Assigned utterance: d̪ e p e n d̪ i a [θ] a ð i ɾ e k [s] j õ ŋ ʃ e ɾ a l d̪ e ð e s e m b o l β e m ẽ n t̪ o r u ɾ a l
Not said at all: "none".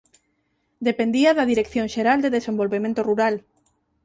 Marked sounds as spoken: ð, θ

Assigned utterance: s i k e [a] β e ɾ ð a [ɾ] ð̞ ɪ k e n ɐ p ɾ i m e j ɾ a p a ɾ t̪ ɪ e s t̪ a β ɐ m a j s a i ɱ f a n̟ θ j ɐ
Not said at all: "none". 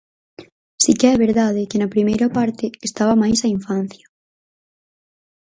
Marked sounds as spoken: ɛ, none

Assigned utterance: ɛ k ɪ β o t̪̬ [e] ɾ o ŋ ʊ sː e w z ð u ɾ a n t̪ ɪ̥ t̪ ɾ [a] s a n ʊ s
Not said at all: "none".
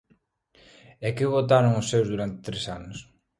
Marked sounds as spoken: a, e

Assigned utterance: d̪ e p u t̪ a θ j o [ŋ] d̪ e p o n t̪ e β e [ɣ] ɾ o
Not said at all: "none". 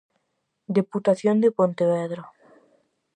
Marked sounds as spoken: n, ð

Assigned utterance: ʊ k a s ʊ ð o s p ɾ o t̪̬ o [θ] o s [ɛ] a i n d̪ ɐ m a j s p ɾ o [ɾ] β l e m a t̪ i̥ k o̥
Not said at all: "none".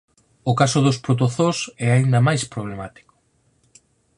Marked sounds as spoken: θ, ɛ, none

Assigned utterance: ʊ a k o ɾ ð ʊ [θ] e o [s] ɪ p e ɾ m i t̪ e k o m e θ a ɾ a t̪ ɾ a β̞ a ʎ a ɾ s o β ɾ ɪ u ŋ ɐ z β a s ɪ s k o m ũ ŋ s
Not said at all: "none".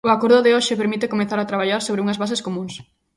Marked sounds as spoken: ð, ʃ

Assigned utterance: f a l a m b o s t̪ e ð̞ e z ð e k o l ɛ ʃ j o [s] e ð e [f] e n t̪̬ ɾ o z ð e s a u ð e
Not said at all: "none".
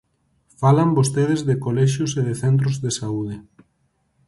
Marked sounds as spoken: s, θ

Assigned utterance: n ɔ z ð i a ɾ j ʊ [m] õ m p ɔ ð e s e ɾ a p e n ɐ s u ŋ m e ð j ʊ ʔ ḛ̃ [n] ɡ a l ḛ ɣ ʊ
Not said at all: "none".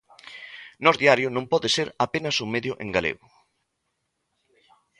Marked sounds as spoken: n, ŋ

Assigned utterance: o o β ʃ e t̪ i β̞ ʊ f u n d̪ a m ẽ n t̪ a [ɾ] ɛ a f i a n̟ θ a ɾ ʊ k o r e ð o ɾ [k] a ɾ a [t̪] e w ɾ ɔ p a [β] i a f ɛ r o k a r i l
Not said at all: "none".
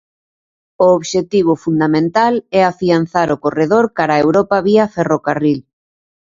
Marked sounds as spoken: l, k, none, β

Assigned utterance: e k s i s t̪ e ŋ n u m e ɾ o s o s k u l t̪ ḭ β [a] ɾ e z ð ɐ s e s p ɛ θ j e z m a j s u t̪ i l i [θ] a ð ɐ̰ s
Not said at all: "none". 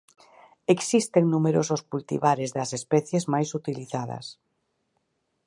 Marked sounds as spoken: a, θ

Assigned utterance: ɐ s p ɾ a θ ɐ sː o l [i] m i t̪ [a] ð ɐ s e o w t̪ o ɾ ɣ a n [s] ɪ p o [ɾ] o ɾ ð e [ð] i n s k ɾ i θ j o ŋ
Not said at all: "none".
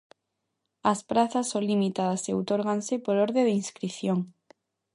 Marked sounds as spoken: i, a, s, ɾ, ð

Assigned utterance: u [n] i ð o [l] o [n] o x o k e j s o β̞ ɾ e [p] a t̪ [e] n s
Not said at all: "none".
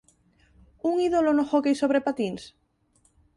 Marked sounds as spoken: ŋ, l, n, p, i

